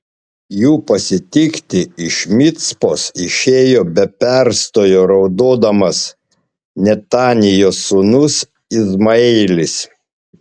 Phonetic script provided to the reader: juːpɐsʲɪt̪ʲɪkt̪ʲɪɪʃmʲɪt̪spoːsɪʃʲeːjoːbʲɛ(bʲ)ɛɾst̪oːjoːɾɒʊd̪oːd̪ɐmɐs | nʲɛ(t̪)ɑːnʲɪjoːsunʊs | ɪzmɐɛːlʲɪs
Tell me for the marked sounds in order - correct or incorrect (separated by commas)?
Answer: incorrect, correct